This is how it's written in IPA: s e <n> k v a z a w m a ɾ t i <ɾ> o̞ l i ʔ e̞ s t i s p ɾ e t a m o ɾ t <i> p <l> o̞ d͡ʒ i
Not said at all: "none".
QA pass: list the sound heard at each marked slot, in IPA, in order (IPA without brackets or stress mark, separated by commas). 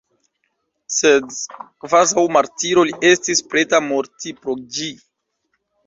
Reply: d, ɾ, i, ɾ